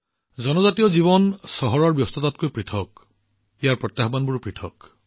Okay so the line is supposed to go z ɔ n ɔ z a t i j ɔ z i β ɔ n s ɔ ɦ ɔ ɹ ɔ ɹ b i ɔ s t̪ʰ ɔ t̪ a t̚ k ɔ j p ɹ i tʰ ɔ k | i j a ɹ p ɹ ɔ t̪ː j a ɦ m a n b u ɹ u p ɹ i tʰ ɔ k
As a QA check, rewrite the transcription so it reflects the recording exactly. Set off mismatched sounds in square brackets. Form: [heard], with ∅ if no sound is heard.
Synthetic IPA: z ɔ n ɔ z a t i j ɔ z i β ɔ n s ɔ ɦ ɔ ɹ ɔ ɹ b [j] ɔ s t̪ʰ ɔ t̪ a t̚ k [o] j p ɹ i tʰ ɔ k | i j a ɹ p ɹ ɔ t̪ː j a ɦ [b] a n b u ɹ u p ɹ i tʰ ɔ k